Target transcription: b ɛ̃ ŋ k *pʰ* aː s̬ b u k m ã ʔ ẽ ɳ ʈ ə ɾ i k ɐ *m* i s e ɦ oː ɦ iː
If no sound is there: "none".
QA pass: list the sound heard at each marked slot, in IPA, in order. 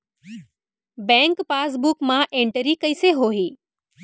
p, none

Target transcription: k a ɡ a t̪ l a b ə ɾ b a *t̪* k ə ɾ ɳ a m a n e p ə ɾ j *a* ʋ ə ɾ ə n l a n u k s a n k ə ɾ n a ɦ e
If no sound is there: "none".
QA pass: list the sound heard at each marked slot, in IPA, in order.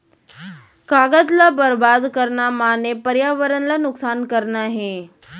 d̪, a

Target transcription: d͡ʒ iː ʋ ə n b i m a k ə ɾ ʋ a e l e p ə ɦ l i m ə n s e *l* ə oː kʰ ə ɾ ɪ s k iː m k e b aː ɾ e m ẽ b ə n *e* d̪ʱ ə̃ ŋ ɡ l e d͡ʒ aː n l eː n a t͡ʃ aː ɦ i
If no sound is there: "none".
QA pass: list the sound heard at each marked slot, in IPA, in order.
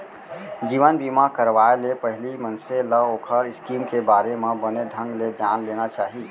l, e

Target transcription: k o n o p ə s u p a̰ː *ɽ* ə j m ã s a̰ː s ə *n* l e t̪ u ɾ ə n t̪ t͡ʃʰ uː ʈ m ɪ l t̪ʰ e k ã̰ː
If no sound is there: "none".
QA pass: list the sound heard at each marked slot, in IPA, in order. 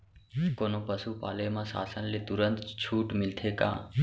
l, n

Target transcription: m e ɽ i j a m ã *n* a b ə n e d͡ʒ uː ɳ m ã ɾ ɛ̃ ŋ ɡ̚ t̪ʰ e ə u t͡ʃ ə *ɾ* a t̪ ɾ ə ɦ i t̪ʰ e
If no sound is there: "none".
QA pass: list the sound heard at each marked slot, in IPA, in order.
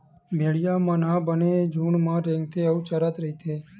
n, ɾ

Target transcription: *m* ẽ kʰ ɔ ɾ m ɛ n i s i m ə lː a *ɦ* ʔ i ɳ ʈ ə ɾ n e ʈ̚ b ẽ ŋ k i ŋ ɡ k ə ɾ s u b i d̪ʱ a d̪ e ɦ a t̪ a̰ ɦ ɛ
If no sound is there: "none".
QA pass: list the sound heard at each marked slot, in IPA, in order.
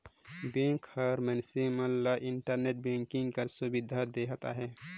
b, none

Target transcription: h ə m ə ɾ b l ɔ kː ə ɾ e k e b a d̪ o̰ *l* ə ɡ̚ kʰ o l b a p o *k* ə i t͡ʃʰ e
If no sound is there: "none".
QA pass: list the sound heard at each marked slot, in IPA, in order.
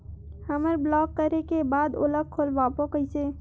l, k

